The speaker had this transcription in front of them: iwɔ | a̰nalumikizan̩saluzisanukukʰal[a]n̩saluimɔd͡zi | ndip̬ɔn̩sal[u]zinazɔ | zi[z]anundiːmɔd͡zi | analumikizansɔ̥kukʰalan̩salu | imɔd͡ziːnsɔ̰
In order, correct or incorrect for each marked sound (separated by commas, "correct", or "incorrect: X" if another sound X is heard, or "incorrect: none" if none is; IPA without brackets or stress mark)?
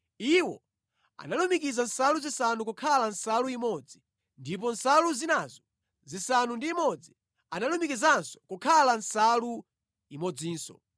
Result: correct, correct, incorrect: s